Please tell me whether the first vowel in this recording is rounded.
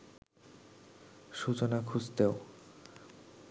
yes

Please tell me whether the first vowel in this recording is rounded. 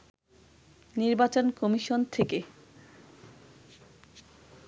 no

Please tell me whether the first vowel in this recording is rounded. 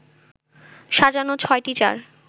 no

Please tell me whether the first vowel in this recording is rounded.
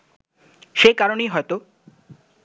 no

